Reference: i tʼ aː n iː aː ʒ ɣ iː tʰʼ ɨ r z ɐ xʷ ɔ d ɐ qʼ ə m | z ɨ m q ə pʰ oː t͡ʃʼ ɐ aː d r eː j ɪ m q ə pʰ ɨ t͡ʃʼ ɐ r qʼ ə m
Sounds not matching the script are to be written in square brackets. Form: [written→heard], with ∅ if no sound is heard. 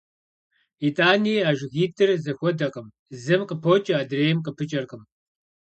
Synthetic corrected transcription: i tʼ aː n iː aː ʒ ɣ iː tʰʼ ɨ r z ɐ xʷ ɔ d ɐ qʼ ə m | z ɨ m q ə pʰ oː t͡ʃʼ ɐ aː d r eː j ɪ m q ə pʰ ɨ t͡ʃʼ ɐ r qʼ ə m